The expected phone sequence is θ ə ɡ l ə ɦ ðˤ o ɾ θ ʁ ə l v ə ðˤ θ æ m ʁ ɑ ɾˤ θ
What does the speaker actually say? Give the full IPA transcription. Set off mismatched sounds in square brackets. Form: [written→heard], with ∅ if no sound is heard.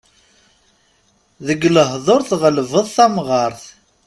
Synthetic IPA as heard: [θ→ð] ə ɡ l ə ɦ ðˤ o ɾ θ ʁ ə l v ə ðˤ θ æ m ʁ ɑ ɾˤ θ

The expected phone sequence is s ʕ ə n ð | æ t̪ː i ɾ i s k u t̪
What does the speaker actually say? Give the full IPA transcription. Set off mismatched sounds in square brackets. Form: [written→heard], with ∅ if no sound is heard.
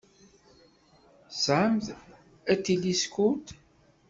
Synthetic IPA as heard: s ʕ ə [n→m] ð | æ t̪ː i [ɾ→l] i s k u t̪

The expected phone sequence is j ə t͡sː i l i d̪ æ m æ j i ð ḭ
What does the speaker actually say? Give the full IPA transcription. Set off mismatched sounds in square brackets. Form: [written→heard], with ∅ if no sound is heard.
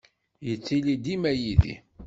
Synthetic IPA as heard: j ə t͡sː i l i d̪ [æ→i] m æ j i ð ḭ

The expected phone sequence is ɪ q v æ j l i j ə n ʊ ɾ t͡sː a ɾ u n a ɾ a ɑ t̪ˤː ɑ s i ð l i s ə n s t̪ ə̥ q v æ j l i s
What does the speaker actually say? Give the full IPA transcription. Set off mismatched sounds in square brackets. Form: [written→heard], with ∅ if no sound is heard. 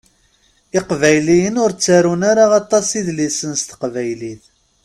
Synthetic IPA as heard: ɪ q v æ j l i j ə n ʊ ɾ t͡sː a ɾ u n a ɾ a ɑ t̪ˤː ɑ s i ð l i s ə n s t̪ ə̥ q v æ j l i [s→θ]

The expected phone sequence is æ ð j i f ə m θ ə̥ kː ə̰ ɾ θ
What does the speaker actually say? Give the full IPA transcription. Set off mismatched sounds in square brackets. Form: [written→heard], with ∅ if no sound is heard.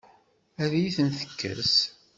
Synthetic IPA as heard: æ ð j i [f→θ] ə [m→n] θ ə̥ kː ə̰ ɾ [θ→s]

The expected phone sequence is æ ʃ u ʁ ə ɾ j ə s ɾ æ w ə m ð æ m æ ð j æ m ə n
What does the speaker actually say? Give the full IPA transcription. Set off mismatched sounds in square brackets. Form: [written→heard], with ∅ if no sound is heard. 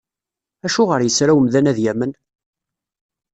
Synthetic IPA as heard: æ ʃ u ʁ ə ɾ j ə s ɾ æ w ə m ð æ [m→n] æ ð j æ m ə n

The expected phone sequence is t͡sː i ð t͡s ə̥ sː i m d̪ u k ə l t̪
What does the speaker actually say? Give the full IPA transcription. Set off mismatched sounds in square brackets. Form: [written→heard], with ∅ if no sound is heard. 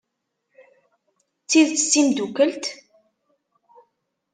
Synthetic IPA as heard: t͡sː i ð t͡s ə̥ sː i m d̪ u k ə l t̪

